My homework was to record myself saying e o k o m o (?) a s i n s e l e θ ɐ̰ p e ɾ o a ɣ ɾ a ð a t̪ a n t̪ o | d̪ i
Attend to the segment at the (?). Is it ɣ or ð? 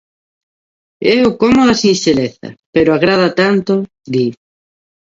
ð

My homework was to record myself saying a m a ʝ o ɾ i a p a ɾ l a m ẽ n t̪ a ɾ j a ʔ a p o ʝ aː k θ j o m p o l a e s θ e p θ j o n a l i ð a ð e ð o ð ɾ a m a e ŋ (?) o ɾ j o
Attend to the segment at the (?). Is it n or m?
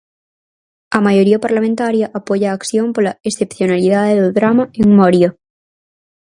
m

